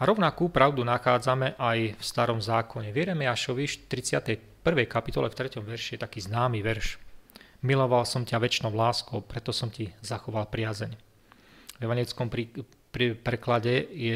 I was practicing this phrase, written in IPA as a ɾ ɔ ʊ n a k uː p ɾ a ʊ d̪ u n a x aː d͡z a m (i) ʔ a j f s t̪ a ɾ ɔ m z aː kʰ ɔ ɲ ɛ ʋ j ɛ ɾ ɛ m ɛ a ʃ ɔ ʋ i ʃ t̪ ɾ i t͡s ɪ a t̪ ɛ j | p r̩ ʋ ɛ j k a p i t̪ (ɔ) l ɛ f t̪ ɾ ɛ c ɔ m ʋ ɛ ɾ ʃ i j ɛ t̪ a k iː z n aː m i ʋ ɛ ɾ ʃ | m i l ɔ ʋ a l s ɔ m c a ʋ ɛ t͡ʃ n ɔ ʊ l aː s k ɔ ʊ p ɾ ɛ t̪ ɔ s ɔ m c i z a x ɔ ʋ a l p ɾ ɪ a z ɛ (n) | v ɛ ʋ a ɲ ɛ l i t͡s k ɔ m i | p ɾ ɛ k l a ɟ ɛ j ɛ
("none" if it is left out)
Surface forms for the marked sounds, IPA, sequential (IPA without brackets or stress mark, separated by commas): ɛ, ɔ, ɲ